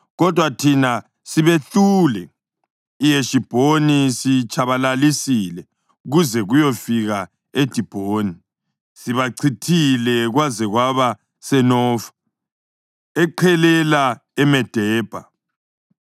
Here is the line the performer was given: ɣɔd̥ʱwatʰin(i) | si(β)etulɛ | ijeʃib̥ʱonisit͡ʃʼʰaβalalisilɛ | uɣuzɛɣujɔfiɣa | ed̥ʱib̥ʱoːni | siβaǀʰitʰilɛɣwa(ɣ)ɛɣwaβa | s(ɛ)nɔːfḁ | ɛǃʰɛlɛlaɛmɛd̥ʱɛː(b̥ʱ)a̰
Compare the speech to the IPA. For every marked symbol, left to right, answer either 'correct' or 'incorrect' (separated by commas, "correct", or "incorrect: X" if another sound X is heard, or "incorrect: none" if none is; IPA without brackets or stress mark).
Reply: incorrect: a, correct, incorrect: z, correct, correct